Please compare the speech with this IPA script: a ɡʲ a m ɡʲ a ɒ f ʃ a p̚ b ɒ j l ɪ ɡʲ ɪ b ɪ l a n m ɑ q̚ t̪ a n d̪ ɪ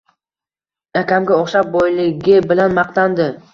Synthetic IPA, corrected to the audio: a kʲ a m ɡʲ a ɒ χ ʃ a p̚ b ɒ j l ɪ ɡʲ ɪ b ɪ l a n m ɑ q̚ t̪ a n d̪ ɪ